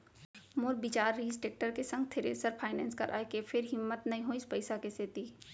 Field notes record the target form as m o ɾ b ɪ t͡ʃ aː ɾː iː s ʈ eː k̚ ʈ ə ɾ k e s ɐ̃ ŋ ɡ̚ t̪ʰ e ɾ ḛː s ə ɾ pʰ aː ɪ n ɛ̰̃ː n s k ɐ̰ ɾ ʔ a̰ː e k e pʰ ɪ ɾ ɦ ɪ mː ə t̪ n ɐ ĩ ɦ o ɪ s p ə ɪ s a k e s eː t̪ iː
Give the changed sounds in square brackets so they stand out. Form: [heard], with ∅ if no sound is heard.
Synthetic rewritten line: m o ɾ b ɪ t͡ʃ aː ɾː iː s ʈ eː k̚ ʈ ə ɾ k e s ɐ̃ ŋ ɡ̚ t̪ʰ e ɾ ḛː s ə ɾ pʰ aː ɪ n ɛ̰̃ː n s k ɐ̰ ɾ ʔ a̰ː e k e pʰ ɪ ɾ ɦ ɪ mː ə t̪ n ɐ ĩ ɦ o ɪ s p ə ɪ s a k e s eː t̪ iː